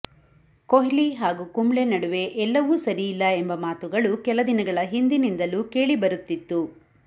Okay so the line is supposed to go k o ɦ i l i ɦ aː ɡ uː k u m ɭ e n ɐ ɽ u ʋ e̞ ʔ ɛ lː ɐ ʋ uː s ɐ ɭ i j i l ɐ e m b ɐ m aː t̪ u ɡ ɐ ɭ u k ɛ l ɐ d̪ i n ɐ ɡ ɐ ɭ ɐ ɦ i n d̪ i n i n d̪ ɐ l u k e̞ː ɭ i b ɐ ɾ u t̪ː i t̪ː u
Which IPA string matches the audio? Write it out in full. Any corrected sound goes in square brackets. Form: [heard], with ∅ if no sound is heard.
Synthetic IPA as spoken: k o ɦ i l i ɦ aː ɡ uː k u m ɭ e n ɐ ɽ u ʋ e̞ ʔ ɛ lː ɐ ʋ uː s ɐ [ɾ] i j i [lː] ɐ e m b ɐ m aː t̪ u ɡ ɐ ɭ u k ɛ l ɐ d̪ i n ɐ ɡ ɐ ɭ ɐ ɦ i n d̪ i n i n d̪ ɐ l u k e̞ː ɭ i b ɐ ɾ u t̪ː i t̪ː u